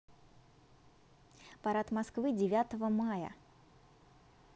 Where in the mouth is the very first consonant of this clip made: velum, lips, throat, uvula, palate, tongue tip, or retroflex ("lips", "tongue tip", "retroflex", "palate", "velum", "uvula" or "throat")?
lips